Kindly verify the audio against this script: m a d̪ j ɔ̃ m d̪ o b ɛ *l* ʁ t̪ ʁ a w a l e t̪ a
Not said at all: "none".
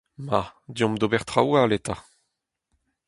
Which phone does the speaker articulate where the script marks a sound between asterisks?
none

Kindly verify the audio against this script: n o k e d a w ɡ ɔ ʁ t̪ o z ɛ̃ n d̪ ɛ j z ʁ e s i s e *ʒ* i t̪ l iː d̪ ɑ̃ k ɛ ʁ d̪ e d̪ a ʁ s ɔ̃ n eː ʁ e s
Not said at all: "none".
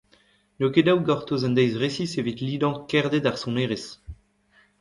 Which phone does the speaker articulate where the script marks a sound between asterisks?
v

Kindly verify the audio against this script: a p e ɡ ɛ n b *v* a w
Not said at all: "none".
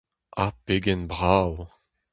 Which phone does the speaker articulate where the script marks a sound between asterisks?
ʁ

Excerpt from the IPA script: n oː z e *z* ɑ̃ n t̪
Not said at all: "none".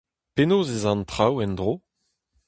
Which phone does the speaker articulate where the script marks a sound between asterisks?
z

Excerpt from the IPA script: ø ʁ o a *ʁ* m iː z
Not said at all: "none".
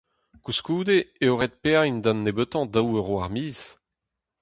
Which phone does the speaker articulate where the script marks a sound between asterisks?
ʁ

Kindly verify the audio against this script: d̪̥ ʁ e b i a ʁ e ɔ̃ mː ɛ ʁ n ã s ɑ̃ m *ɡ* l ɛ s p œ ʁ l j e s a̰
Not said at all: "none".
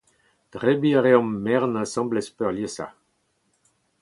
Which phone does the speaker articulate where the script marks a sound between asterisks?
b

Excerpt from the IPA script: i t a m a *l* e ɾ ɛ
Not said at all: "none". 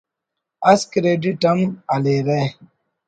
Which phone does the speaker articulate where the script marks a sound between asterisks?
l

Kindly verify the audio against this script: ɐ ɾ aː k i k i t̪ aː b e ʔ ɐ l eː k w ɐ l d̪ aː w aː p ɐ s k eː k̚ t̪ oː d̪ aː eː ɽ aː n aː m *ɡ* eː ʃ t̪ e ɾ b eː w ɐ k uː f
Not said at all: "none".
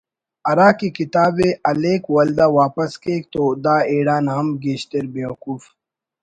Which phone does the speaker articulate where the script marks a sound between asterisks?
ɡ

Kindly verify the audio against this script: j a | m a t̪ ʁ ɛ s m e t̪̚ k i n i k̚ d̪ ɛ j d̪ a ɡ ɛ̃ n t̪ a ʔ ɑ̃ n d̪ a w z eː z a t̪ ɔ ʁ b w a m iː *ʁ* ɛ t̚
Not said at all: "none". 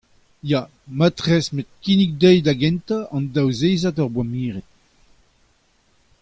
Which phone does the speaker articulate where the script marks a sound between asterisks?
ʁ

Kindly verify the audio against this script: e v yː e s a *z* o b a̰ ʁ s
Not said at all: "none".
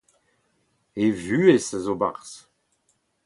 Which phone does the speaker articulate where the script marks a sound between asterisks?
z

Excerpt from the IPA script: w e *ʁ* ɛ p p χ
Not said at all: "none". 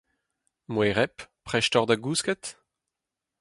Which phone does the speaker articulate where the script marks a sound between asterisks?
ʁ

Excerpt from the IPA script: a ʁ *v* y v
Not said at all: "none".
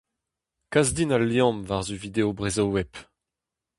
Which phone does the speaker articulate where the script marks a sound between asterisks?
z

